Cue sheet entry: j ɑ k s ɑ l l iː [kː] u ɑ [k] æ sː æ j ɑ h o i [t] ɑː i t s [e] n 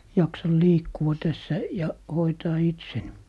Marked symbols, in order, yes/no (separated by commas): yes, no, yes, yes